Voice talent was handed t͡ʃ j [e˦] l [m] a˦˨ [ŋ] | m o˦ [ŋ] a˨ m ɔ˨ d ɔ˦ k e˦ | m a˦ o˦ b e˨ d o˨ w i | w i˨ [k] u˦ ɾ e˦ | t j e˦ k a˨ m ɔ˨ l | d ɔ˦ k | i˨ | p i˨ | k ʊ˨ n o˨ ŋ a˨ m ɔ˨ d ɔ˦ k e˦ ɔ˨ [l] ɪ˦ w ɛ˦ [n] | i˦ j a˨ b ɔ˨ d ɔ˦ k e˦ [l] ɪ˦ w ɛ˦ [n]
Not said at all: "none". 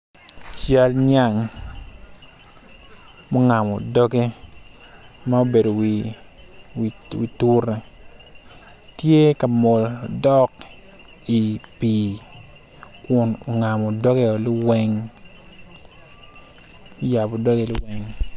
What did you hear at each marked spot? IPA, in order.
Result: a˦, ɲ, ŋ, ŋ, t, l, ŋ, l, ŋ

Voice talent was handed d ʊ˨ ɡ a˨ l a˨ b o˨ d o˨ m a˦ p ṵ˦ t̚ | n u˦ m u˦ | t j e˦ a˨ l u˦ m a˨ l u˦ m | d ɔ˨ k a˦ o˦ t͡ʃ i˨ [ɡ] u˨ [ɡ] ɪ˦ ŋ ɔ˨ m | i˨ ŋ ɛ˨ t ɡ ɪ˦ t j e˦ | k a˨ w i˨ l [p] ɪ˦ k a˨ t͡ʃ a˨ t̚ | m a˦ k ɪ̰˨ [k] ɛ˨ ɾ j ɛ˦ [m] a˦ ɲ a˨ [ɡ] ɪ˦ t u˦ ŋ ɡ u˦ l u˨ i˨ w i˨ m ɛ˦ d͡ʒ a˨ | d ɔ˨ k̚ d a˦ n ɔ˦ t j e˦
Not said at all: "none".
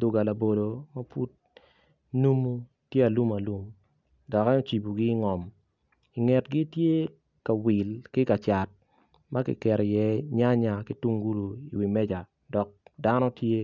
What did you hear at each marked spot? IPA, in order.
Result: b, ɡ, k, k, ɲ, k

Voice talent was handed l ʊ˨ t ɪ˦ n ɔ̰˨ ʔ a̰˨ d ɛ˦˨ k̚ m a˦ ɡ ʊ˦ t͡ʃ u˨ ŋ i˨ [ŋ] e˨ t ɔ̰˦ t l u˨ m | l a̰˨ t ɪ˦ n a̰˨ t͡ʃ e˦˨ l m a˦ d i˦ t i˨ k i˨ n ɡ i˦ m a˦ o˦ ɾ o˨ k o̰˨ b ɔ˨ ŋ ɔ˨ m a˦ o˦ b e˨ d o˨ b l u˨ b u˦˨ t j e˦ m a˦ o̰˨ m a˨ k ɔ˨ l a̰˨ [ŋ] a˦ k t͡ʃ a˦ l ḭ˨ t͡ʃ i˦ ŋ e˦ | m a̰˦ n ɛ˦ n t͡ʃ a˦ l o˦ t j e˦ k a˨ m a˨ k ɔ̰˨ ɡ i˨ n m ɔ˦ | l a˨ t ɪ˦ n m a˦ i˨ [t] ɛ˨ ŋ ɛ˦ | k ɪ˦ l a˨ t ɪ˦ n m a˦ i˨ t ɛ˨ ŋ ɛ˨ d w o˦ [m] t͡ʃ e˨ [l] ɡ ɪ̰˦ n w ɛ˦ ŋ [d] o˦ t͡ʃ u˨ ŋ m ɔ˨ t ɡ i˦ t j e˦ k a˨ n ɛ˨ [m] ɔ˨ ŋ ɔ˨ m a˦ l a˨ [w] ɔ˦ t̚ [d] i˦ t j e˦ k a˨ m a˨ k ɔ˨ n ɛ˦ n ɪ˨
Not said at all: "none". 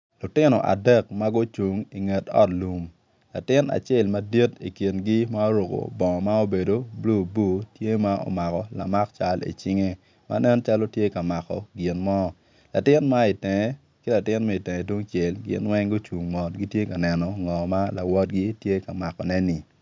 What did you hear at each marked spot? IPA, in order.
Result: ŋ, m, t, ŋ, l, ɡ, n, w, ɡ

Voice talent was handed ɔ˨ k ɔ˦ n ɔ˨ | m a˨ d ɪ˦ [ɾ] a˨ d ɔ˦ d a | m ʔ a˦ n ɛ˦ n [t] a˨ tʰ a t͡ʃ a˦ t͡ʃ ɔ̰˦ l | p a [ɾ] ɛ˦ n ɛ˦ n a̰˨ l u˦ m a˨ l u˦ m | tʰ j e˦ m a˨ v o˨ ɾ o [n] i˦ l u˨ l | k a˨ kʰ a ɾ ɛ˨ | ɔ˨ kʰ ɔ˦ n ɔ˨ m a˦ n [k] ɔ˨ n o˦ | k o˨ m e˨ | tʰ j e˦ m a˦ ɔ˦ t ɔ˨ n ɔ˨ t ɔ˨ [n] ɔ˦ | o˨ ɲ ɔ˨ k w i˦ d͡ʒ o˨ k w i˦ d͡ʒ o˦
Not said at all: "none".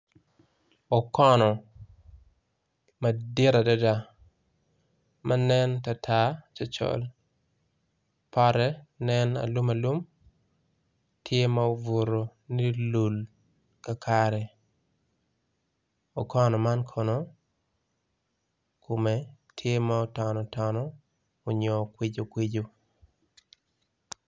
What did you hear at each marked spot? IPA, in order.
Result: ɾ, t, ɾ, n, kʰ, n

